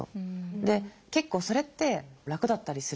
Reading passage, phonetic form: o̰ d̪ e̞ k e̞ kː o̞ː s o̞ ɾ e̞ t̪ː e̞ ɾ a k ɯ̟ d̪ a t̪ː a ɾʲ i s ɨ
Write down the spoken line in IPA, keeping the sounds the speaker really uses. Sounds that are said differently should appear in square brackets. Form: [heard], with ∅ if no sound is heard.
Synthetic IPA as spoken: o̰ d̪ e̞ k e̞ kː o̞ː s o̞ ɾ e̞ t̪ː e̞ ɾ a k ɯ̟ d̪ a t̪ː a ɾʲ i s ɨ